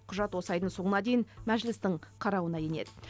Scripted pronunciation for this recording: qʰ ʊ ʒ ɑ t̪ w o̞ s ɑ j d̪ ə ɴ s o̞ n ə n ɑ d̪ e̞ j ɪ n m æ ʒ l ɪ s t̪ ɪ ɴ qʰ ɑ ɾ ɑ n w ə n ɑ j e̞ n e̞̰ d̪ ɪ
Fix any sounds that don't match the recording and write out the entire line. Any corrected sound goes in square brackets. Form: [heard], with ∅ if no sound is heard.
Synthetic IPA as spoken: qʰ ʊ ʒ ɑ t̪ w o̞ s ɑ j d̪ ə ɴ s o̞ [ɴ] ə n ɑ d̪ e̞ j ɪ n m æ ʒ l ɪ s t̪ ɪ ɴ qʰ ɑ ɾ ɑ [∅] w ə n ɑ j e̞ n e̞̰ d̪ ɪ